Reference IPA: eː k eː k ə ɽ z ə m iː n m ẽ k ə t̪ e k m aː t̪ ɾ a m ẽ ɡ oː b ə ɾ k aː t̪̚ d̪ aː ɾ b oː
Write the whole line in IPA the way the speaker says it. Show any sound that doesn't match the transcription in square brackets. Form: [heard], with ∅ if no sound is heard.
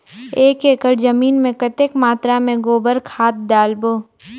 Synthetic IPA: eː k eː k ə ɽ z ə m iː n m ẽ k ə t̪ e k m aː t̪ ɾ a m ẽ ɡ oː b ə ɾ [kʰ] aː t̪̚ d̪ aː [l] b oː